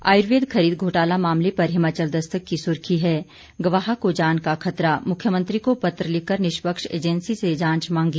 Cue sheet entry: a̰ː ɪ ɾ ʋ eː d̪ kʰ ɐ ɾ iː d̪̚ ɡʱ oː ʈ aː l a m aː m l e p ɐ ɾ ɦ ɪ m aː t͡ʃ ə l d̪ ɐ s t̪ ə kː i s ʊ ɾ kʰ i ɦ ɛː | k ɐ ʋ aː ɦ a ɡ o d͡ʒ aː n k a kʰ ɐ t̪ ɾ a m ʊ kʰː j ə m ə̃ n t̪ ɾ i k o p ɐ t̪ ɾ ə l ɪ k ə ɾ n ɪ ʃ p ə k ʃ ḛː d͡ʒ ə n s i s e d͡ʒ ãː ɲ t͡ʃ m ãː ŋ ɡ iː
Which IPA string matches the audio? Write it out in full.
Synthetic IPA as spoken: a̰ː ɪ ɾ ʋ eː d̪ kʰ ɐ ɾ iː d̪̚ ɡʱ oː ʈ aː l a m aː m l e p ɐ ɾ ɦ ɪ m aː t͡ʃ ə l d̪ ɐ s t̪ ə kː i s ʊ ɾ kʰ i ɦ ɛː | ɡ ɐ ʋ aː ɦ a k o d͡ʒ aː n k a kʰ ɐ t̪ ɾ a m ʊ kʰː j ə m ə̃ n t̪ ɾ i k o p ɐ t̪ ɾ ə l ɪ k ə ɾ n ɪ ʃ p ə k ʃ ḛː d͡ʒ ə n s i s e d͡ʒ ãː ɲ t͡ʃ m ãː ŋ ɡ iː